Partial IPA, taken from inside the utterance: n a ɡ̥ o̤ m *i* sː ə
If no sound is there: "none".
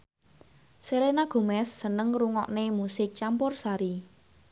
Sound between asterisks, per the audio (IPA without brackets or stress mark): ɛ